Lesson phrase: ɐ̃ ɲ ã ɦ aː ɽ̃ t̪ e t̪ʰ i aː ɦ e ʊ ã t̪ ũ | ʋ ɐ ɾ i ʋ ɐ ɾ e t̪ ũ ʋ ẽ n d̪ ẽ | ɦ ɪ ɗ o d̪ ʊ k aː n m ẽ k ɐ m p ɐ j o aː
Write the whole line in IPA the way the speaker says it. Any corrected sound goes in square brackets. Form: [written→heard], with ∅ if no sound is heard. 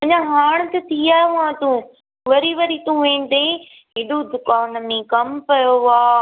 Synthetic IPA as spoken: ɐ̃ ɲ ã ɦ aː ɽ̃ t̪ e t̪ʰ i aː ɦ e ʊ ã t̪ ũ | ʋ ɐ ɾ i ʋ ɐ ɾ [e→i] t̪ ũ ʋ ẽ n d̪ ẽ | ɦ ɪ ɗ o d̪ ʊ k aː n m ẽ k ɐ m p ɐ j o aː